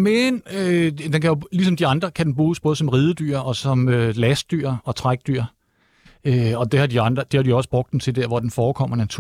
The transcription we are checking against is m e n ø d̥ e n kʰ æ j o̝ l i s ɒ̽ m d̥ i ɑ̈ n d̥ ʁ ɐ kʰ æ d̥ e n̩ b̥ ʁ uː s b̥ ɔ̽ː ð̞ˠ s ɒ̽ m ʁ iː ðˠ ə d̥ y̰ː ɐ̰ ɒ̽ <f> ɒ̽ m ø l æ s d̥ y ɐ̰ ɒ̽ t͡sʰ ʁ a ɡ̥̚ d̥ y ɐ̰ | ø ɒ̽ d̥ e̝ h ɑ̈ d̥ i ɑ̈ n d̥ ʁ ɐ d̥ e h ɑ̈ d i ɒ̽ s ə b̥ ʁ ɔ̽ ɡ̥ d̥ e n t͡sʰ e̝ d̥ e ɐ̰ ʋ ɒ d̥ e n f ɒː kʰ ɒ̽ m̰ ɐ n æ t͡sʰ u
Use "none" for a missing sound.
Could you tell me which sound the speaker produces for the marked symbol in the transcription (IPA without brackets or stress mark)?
s